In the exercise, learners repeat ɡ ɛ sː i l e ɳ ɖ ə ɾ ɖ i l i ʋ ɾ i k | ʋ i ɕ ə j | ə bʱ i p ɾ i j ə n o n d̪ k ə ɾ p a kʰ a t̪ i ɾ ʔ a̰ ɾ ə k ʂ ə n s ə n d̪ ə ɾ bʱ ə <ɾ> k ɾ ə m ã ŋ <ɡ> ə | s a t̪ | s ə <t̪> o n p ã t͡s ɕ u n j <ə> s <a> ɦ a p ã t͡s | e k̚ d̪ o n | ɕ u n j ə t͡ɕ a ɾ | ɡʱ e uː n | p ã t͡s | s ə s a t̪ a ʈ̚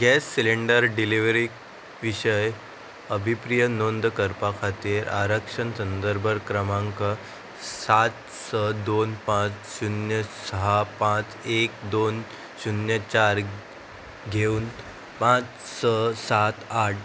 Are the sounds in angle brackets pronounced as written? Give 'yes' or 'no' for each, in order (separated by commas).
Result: yes, no, no, yes, no